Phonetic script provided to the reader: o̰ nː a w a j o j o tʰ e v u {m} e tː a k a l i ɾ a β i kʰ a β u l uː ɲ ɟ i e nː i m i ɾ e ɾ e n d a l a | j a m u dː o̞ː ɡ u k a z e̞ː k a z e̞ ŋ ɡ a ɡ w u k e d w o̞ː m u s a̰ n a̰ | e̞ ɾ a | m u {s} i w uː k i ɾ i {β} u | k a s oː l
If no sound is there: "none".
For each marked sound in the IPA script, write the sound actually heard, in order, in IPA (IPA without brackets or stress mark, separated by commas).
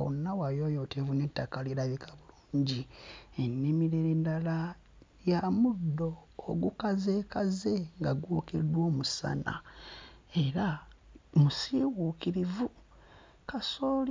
n, s, v